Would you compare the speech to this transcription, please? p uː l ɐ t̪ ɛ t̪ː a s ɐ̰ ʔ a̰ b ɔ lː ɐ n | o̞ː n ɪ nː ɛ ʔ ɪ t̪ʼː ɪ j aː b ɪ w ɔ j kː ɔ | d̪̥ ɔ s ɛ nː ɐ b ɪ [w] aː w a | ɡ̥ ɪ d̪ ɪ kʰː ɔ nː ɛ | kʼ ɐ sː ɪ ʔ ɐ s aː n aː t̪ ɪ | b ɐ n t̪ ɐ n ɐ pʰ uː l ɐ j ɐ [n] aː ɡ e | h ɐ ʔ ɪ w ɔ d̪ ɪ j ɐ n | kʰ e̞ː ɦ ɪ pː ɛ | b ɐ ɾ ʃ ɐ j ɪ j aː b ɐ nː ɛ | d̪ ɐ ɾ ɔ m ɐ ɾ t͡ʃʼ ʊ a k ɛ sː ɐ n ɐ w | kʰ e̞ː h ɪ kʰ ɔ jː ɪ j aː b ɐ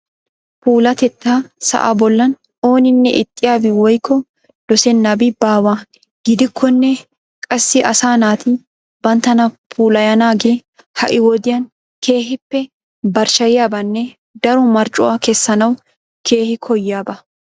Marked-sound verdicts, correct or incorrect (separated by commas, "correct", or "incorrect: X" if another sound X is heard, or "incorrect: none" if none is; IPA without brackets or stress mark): incorrect: b, correct